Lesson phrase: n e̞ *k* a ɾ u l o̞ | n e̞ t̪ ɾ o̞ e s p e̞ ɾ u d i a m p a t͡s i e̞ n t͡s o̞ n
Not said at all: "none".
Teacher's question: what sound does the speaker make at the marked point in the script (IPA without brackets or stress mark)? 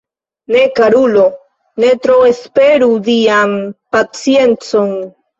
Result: k